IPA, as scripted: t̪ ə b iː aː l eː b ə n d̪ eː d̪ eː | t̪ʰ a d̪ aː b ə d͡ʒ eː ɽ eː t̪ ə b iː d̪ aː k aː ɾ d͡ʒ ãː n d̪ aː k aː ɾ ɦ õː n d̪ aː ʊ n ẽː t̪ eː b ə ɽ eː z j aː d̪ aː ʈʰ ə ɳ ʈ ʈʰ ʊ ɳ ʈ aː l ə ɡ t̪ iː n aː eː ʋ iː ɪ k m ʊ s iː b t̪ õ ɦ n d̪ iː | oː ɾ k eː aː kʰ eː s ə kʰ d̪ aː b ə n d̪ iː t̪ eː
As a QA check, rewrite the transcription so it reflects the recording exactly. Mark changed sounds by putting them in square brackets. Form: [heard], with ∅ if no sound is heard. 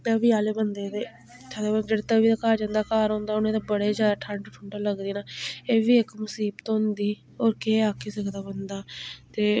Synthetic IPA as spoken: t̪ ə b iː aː l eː b ə n d̪ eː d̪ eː | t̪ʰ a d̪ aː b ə d͡ʒ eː ɽ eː t̪ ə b iː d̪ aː k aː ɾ d͡ʒ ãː n d̪ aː k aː ɾ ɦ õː n d̪ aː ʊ n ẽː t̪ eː b ə ɽ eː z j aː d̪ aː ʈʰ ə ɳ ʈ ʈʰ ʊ ɳ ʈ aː l ə ɡ [d̪] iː n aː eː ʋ iː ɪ k m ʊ s iː b t̪ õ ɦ n d̪ iː | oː ɾ k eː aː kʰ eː s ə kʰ d̪ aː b ə n d̪ [aː] t̪ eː